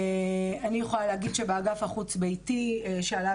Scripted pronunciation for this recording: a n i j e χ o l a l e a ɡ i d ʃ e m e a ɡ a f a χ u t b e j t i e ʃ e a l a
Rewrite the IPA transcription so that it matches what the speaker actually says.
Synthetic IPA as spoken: a n i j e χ o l a l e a ɡ i d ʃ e b e a ɡ a f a χ u t͡s b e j t i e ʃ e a l a